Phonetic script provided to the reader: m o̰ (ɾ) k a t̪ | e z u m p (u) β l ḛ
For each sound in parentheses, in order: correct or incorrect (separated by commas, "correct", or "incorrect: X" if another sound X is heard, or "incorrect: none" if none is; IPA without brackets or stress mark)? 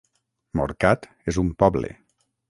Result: correct, incorrect: ɔ